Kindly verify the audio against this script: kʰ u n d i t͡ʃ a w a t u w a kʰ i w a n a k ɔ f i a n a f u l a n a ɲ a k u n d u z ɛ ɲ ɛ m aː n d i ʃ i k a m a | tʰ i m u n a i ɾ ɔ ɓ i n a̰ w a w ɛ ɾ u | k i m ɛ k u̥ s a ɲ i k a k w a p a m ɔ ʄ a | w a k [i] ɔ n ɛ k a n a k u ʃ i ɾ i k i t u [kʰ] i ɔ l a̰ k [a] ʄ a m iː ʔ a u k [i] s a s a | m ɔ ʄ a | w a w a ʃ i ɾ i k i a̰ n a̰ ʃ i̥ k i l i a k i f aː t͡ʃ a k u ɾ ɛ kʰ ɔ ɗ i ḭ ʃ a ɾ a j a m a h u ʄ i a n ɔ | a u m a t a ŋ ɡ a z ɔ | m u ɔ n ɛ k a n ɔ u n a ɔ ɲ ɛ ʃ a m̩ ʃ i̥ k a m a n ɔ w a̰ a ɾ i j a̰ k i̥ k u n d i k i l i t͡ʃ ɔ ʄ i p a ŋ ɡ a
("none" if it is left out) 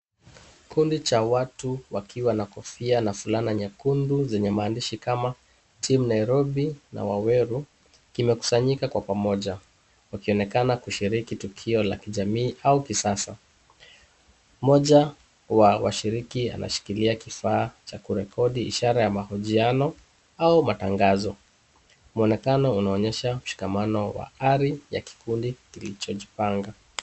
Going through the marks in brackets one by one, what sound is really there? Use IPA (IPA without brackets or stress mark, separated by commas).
i, kʰ, i, i